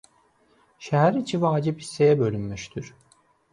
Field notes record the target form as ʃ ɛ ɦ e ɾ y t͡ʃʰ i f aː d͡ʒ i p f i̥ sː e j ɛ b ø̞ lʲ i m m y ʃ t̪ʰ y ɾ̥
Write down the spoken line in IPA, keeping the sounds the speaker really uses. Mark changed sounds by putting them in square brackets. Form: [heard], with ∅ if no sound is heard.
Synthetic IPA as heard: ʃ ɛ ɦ [æ] ɾ [i] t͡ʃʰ i [v] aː d͡ʒ i p [h] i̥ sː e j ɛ b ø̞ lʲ [y] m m y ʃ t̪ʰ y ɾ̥